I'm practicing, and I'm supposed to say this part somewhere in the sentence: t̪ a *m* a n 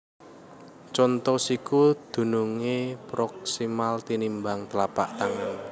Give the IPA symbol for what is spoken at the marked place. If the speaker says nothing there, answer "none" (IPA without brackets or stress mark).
ŋ